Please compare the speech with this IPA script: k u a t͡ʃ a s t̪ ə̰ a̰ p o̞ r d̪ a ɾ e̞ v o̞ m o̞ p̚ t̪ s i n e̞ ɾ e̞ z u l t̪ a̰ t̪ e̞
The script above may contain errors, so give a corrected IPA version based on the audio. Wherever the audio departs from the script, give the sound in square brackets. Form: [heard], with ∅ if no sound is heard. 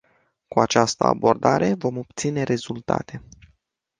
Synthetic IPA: k u a t͡ʃ a s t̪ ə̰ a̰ [b] o̞ r d̪ a ɾ e̞ v o̞ m o̞ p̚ t̪ s i n e̞ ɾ e̞ z u l t̪ a̰ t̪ e̞